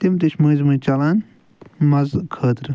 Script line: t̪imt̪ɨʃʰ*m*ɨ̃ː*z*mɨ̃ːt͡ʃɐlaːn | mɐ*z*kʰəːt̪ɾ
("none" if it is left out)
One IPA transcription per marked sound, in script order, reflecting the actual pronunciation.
m, z, z

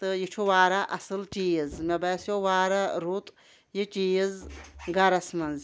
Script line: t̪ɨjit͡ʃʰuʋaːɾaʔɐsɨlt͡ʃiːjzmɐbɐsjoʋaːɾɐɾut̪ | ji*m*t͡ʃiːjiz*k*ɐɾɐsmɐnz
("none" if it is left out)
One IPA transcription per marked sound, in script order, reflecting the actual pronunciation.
none, ɡ

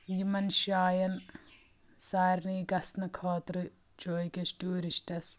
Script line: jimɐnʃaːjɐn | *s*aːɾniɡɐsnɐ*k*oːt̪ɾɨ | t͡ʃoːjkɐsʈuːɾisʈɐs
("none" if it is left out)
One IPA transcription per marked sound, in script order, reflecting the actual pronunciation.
s, kʰ

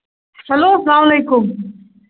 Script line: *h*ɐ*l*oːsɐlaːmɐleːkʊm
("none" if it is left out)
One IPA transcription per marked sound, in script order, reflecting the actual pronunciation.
s, l

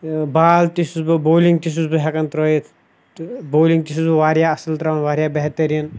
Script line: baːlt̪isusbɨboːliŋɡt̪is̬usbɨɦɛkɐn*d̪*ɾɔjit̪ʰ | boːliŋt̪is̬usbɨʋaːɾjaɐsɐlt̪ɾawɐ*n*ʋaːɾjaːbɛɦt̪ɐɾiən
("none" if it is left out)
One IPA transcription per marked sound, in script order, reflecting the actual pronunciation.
t̪, n

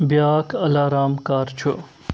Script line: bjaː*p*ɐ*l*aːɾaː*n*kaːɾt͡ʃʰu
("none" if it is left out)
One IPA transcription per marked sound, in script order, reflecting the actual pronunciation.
k, l, m

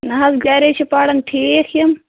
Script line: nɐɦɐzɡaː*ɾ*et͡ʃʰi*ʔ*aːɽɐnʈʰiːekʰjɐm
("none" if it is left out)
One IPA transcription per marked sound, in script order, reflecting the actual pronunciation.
ɾ, p

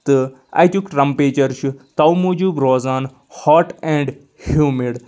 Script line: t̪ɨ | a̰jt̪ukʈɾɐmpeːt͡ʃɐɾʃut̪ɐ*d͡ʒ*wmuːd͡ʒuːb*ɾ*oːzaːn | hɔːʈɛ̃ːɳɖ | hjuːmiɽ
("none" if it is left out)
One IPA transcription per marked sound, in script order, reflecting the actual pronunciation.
none, ɾ

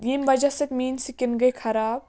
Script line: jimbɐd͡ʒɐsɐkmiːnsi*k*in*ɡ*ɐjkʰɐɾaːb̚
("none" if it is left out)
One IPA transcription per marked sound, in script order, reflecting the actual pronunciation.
k, ɡ

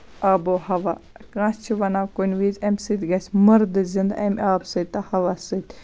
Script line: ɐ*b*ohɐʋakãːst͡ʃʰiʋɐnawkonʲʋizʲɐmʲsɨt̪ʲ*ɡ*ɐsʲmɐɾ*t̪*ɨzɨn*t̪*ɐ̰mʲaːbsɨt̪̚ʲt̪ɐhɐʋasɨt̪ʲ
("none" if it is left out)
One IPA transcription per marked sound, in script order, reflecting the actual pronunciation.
b, ɡ, d̪, d̪

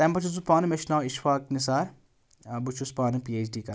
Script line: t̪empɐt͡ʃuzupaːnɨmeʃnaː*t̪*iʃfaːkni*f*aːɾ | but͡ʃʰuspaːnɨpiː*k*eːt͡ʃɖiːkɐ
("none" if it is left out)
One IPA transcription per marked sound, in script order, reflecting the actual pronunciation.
none, s, none

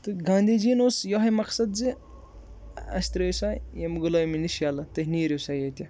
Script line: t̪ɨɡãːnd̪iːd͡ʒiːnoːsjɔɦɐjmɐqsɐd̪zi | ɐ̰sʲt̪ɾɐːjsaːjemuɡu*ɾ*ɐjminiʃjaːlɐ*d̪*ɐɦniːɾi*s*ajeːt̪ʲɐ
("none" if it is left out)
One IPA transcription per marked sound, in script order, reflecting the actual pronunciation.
l, t̪, s

